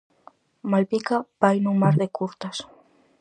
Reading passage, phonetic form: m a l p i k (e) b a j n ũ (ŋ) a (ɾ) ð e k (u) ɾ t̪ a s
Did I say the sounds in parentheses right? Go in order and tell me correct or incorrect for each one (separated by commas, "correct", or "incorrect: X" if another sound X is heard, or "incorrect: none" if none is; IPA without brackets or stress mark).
incorrect: a, incorrect: m, correct, correct